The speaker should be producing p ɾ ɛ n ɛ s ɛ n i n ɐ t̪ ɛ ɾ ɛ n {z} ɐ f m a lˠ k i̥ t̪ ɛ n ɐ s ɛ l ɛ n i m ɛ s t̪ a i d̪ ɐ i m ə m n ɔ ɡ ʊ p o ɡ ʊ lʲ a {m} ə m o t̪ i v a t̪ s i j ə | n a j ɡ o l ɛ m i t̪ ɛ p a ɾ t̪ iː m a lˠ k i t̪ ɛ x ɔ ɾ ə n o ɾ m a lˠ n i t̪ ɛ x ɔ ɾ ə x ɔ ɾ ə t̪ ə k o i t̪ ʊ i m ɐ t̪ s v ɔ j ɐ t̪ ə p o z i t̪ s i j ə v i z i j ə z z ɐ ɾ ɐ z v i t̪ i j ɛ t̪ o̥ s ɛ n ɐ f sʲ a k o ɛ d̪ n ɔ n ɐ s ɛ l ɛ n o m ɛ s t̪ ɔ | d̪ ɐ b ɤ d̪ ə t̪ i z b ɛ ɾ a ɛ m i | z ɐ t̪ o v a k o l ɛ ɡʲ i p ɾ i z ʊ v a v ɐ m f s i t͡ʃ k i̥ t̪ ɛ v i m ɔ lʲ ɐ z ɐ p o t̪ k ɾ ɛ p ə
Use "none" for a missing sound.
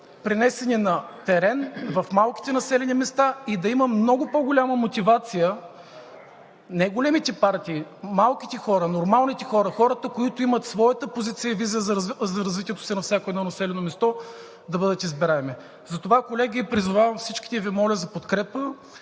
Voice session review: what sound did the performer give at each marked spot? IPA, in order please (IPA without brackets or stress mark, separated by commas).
v, m